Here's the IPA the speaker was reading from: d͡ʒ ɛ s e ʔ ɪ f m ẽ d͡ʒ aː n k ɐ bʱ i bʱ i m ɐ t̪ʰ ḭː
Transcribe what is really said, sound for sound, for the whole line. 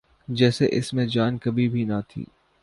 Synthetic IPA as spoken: d͡ʒ ɛː s e ʔ ɪ s m ẽ d͡ʒ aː n k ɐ bʱ i bʱ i n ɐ t̪ʰ ḭː